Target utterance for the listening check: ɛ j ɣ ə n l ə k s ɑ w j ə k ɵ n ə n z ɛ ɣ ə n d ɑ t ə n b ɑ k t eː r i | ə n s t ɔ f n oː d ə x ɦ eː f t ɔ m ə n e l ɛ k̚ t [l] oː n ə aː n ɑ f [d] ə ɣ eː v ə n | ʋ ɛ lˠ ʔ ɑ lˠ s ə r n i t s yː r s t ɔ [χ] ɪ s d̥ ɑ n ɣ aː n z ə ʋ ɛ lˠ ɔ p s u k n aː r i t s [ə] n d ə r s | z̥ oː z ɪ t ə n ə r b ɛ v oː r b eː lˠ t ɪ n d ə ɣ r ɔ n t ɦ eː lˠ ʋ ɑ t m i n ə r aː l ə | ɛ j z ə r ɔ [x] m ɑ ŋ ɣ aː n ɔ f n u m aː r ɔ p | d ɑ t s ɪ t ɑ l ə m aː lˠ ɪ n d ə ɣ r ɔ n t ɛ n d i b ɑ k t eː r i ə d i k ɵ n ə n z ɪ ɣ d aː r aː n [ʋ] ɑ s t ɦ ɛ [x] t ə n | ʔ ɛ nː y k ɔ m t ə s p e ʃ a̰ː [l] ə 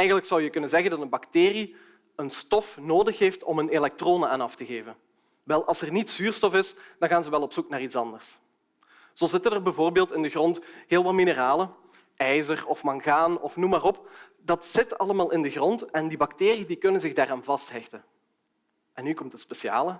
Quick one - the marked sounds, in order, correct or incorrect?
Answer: incorrect: r, incorrect: t, incorrect: f, incorrect: ɑ, incorrect: f, incorrect: v, correct, correct

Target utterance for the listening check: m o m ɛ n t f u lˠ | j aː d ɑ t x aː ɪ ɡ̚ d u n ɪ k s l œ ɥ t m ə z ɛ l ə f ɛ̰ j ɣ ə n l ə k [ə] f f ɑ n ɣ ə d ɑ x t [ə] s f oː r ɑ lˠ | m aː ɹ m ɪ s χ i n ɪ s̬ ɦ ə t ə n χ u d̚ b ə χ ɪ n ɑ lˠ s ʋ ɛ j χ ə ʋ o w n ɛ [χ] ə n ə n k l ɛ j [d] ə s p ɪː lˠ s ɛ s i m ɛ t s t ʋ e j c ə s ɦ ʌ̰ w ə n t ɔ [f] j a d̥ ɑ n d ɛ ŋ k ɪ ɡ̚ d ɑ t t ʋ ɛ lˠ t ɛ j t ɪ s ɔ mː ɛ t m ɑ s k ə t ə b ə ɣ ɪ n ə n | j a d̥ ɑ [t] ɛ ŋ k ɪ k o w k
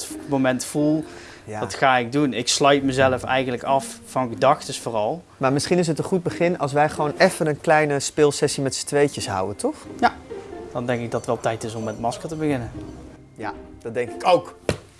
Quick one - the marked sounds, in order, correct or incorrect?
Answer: incorrect: ɑ, correct, incorrect: f, incorrect: n, incorrect: χ, incorrect: d

